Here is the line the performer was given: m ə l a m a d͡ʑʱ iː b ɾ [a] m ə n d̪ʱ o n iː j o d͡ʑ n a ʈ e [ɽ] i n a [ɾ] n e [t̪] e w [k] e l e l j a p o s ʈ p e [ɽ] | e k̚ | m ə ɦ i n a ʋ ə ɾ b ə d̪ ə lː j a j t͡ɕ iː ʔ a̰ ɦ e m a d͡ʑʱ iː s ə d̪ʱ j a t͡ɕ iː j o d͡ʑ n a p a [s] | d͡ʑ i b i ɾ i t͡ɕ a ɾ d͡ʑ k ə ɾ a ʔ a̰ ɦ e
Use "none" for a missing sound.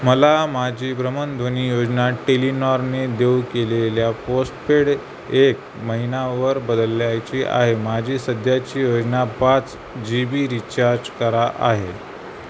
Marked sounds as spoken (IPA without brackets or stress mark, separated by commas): ə, l, ɾ, d̪, k, ɽ, t͡s